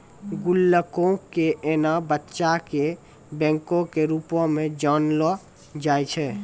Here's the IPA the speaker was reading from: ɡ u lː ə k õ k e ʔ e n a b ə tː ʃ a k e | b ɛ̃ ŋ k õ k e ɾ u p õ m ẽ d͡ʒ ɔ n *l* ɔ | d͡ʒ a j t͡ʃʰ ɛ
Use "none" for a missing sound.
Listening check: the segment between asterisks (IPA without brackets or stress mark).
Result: l